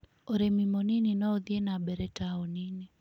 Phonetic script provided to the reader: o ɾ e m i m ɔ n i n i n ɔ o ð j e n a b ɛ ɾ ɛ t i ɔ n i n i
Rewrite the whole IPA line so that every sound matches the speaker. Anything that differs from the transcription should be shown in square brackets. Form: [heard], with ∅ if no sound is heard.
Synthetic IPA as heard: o ɾ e m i m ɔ n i n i n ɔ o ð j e n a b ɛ ɾ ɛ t [a] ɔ n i n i